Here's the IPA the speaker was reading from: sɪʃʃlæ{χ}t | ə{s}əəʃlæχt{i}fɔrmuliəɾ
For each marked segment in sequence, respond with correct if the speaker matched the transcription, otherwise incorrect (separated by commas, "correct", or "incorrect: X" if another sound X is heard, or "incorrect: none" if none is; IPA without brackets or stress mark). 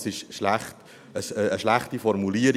correct, correct, correct